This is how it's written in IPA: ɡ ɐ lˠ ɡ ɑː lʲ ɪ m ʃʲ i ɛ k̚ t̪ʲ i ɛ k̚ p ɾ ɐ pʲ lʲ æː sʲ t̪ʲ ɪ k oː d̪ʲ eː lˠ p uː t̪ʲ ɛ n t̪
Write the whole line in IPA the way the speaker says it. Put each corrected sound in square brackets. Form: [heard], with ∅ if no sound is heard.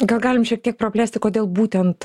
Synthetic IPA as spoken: ɡ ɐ lˠ ɡ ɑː lʲ ɪ m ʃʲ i ɛ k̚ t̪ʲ i ɛ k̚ p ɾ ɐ pʲ lʲ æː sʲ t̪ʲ ɪ k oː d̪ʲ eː lˠ [b] uː t̪ʲ ɛ n t̪